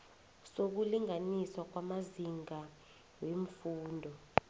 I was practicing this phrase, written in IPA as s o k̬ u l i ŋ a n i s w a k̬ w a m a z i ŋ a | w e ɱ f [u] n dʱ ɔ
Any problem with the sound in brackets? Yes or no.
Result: yes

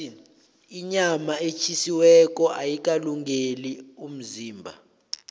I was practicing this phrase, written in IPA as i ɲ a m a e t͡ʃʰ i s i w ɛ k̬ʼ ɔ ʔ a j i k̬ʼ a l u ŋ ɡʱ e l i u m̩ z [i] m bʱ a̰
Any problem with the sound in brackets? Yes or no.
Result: yes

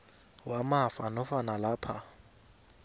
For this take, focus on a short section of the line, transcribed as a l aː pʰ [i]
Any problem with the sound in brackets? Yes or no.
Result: yes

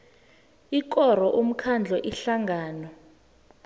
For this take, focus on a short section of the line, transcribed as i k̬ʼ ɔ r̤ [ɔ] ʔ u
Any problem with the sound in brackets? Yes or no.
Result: no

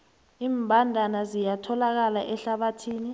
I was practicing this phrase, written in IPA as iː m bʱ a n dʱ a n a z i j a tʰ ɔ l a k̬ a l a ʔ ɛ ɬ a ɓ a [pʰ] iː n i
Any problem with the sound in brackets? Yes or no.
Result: yes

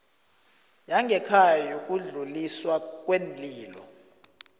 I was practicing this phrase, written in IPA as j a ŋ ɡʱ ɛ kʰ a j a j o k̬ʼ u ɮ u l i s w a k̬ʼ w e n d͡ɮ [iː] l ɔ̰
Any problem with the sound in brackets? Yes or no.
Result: no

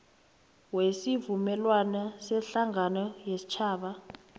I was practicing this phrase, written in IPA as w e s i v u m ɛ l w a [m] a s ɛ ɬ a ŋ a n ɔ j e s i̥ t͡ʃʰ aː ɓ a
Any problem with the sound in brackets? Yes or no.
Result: yes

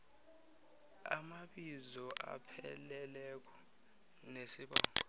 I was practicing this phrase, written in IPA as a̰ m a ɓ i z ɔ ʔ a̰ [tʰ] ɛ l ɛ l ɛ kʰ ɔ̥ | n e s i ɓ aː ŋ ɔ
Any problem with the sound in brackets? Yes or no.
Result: yes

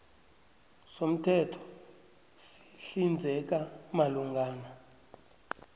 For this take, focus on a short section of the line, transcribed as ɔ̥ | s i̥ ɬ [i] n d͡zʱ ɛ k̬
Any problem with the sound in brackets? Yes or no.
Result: no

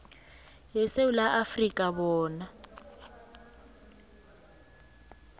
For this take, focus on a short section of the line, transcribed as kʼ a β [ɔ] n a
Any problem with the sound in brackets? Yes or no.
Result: yes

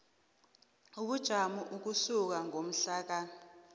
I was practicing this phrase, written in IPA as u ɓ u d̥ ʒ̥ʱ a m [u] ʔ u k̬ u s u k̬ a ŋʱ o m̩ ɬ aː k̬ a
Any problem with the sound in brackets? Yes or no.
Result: no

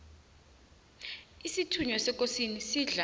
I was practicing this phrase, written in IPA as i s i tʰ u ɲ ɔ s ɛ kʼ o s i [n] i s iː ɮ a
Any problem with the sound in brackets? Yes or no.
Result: no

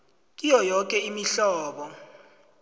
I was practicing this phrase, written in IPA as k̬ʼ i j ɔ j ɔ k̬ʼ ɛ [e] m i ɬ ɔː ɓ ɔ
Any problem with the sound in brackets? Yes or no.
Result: yes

